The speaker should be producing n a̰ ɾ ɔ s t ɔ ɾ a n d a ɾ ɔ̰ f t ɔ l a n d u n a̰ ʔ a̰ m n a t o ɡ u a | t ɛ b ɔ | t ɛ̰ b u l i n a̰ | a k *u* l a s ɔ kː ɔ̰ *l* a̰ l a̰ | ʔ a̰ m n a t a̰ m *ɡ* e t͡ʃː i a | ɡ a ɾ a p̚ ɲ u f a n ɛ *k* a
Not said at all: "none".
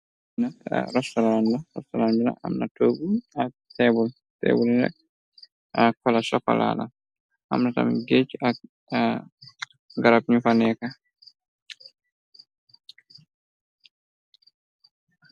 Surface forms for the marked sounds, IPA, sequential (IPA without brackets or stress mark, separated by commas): ɔ, l, ɡ, k